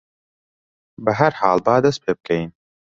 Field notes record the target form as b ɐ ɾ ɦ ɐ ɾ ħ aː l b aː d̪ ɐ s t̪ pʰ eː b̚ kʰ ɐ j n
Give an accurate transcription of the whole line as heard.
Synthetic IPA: b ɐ ɦ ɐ ɾ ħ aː l b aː d̪ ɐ s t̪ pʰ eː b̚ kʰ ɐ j n